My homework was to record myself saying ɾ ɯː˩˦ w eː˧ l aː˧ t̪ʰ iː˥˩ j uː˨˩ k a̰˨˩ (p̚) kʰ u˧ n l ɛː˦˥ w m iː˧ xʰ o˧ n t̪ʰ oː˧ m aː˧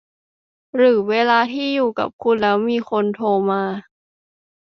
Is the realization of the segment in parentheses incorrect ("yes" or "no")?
no